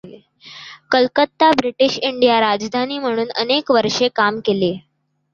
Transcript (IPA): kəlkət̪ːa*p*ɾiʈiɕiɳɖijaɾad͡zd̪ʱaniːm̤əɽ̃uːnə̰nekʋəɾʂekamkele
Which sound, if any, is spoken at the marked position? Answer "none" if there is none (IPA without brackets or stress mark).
b